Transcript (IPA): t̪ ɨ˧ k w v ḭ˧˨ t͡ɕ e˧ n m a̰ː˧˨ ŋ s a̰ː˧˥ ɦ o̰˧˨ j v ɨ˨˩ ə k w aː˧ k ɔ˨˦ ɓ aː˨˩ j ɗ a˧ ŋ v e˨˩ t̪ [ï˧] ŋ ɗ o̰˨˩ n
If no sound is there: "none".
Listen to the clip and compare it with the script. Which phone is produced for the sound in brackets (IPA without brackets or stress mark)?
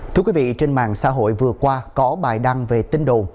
ï˧